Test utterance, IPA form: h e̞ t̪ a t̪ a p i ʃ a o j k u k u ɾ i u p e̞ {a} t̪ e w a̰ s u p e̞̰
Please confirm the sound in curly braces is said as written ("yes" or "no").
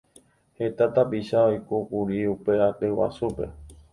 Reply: yes